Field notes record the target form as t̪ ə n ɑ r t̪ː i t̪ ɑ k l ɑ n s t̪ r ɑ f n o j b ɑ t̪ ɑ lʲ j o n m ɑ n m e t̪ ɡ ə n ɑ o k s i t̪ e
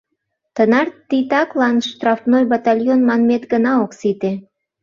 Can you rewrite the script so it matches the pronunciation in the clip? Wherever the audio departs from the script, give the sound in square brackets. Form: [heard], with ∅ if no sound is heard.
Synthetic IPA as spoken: t̪ ə n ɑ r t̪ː i t̪ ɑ k l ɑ n [ʃ] t̪ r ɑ f n o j b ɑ t̪ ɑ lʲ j o n m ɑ n m e t̪ ɡ ə n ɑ o k s i t̪ e